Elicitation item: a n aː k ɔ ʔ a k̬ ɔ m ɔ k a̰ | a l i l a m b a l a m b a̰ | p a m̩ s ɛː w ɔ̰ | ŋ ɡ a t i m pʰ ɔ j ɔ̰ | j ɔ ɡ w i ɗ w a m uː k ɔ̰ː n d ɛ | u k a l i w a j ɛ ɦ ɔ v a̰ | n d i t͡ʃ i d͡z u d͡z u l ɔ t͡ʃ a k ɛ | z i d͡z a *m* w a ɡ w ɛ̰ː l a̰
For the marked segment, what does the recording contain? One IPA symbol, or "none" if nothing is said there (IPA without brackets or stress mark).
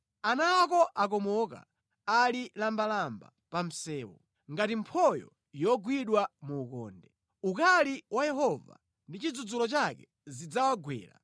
none